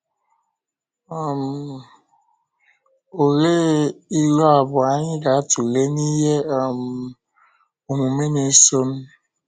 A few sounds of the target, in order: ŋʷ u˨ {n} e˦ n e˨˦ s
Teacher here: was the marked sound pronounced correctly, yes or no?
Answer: no